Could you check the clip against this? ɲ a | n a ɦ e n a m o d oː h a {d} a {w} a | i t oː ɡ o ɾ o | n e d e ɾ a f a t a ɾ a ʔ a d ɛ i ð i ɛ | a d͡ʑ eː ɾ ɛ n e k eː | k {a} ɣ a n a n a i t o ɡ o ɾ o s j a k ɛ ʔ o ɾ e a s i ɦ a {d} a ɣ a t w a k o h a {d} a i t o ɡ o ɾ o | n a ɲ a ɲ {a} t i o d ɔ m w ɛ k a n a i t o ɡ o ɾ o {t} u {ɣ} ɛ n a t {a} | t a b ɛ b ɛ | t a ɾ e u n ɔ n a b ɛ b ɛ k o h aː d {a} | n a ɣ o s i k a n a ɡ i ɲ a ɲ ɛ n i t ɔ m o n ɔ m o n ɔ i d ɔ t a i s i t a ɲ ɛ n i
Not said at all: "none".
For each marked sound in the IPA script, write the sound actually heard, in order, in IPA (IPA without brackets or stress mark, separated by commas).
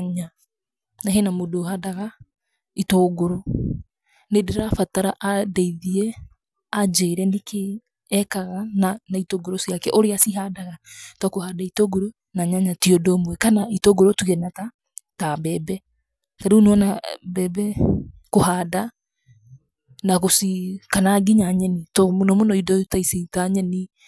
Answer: d, ɣ, a, d, d, a, t, ɣ, a, a